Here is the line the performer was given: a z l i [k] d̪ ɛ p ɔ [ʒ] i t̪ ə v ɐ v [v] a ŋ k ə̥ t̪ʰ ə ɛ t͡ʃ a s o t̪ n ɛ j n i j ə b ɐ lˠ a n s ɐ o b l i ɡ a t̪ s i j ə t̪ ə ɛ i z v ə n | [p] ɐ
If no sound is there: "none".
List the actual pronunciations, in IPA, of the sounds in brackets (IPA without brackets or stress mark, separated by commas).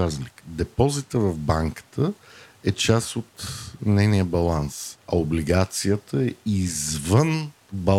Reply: k, z, b, b